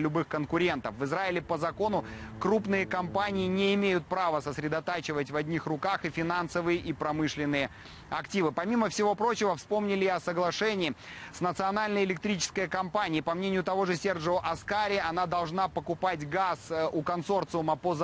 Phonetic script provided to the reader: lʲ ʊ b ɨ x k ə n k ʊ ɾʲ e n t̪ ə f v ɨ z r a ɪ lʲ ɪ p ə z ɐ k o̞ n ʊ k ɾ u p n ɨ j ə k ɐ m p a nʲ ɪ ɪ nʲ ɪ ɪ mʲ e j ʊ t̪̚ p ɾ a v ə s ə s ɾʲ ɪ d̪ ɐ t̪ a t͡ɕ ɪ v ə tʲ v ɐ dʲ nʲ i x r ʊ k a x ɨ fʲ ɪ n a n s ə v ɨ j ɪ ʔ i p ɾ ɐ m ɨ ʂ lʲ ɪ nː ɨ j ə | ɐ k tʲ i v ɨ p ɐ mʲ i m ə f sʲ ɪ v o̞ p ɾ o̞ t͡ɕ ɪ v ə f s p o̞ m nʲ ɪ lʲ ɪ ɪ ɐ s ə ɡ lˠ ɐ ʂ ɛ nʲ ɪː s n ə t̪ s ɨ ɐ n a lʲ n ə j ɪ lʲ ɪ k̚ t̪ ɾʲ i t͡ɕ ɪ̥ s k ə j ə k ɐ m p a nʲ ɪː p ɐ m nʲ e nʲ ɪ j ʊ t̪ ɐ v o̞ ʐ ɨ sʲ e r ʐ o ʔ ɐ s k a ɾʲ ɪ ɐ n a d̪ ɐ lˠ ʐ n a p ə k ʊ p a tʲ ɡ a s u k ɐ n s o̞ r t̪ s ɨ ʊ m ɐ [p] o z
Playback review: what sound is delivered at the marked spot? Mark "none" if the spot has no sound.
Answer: p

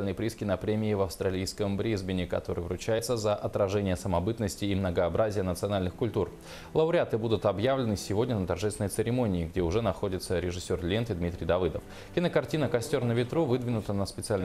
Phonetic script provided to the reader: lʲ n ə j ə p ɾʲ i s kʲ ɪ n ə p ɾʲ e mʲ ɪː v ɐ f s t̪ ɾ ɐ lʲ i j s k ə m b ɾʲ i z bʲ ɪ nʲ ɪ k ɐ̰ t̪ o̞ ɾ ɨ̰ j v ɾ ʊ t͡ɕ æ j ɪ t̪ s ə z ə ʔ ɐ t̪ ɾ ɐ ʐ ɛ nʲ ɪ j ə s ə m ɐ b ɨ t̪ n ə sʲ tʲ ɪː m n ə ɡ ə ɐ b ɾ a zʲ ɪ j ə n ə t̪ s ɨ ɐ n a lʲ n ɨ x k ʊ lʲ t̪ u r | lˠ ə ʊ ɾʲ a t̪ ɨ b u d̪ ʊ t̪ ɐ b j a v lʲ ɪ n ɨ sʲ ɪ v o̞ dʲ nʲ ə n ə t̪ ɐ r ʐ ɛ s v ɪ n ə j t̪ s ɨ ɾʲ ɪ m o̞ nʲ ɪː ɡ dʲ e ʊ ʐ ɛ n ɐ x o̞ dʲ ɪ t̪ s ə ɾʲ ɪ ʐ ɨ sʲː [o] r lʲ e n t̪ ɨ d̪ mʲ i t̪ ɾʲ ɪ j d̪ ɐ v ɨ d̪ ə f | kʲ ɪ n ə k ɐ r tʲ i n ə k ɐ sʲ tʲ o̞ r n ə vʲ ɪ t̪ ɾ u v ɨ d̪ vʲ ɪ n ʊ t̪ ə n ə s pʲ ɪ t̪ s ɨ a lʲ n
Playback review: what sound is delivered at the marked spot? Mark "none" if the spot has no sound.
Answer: o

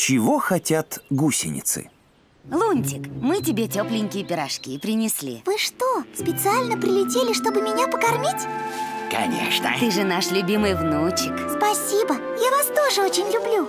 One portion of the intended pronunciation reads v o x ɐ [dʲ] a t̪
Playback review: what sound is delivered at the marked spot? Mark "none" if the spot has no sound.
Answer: tʲ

